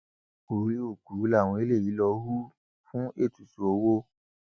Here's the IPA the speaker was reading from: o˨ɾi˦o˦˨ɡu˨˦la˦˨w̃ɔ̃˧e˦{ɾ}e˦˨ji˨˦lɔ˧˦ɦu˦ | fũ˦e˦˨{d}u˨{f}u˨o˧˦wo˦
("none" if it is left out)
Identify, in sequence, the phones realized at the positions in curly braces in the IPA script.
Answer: l, t, s

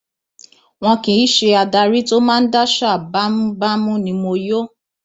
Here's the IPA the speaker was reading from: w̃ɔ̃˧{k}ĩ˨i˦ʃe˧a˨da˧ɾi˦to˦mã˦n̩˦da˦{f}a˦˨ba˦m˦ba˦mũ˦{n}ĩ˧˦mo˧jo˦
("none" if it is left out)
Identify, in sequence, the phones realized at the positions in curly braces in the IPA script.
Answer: k, ʃ, n

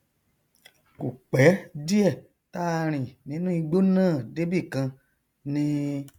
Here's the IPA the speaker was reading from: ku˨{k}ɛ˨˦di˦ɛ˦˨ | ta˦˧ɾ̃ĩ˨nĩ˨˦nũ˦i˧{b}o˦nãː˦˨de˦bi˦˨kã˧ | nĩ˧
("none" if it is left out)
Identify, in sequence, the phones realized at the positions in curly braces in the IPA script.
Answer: k͡p, ɡ͡b

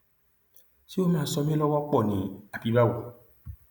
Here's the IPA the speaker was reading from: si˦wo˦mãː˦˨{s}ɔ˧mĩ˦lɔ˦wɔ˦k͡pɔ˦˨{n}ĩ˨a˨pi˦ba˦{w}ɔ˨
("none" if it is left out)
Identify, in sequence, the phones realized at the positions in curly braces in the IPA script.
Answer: s, n, w

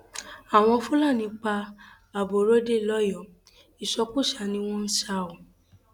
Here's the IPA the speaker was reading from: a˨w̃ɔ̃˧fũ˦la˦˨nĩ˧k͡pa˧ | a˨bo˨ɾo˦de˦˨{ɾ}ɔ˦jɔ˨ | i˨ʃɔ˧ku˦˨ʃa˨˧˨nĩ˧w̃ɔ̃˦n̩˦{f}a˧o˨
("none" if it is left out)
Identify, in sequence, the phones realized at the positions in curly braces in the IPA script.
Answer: l, ʃ

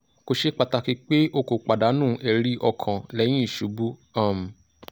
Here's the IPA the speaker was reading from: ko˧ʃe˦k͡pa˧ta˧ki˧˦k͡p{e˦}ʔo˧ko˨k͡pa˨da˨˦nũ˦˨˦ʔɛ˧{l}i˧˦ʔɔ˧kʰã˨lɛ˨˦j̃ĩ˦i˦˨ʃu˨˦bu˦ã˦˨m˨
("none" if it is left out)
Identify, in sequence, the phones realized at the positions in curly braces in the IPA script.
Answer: e˦, ɾ

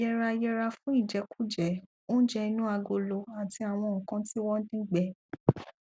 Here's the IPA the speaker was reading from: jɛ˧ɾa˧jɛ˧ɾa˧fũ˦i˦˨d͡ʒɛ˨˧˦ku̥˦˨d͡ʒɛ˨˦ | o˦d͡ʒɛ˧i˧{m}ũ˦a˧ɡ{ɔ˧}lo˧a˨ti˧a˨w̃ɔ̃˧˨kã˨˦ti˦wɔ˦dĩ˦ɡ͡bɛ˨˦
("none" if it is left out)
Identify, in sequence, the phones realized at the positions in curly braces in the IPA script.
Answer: n, o˧

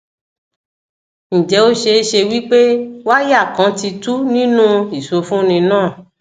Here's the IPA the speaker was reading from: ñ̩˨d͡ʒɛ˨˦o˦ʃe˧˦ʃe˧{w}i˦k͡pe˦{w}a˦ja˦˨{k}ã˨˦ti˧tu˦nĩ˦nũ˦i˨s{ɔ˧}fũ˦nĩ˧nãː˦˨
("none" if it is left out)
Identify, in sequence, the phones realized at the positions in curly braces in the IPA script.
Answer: w, w, k, o˧

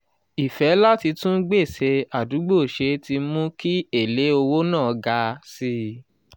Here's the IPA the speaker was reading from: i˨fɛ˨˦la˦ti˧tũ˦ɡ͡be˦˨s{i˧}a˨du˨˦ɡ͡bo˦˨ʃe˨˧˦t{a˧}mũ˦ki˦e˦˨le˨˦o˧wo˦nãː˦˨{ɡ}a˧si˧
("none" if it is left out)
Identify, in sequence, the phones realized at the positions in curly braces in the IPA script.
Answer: e˧, i˧, ɡ

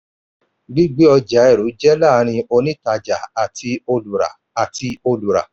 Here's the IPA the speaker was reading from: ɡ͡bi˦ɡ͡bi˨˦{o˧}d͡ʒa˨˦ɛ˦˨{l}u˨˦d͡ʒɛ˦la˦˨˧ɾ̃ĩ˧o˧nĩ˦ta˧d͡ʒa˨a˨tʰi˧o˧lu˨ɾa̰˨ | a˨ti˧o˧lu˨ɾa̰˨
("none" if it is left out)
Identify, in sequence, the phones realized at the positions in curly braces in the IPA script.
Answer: ɔ˧, ɾ

